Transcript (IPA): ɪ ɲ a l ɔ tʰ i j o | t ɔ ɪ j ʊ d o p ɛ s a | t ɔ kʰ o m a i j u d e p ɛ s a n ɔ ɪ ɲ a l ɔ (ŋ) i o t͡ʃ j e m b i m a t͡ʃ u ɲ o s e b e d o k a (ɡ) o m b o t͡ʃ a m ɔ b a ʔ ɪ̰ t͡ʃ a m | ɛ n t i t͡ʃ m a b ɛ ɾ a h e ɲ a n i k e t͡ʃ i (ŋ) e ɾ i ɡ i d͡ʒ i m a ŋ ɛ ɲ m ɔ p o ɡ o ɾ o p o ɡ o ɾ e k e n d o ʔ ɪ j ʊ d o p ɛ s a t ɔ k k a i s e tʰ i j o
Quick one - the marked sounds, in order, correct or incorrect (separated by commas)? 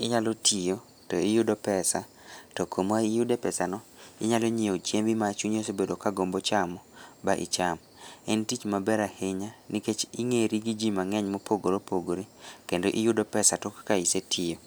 incorrect, correct, correct